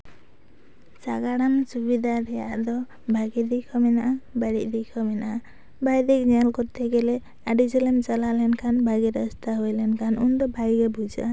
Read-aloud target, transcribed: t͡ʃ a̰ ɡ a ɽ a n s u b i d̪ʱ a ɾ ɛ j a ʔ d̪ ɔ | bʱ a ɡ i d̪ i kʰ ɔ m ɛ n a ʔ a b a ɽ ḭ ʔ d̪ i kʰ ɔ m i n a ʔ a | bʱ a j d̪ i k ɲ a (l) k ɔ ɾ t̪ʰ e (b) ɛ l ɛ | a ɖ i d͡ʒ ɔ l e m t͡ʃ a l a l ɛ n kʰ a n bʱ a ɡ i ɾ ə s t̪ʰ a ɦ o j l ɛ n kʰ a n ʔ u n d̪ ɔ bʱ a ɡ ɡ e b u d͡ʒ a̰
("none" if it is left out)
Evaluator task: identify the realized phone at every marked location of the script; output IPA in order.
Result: l, ɡ

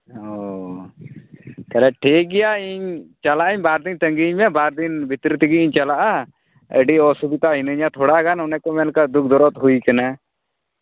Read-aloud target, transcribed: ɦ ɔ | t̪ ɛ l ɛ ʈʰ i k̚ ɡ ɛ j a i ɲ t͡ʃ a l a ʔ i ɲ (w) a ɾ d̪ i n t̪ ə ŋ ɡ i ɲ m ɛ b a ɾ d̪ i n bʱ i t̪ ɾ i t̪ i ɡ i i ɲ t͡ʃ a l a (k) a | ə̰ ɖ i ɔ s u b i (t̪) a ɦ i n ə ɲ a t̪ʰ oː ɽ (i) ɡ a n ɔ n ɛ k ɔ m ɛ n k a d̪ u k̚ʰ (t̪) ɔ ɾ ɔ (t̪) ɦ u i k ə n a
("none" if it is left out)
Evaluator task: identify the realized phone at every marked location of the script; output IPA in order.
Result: b, ʔ, t̪, a, d̪, t̪

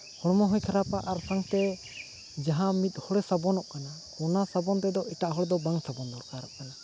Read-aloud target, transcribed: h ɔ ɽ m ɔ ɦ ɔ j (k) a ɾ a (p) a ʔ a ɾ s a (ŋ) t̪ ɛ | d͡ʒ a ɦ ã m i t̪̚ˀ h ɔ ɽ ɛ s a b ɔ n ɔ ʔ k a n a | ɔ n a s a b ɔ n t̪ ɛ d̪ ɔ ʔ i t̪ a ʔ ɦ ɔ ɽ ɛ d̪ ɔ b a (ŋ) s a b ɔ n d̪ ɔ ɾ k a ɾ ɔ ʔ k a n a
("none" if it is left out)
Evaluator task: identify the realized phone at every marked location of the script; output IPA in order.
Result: kʰ, p, ŋ, ŋ

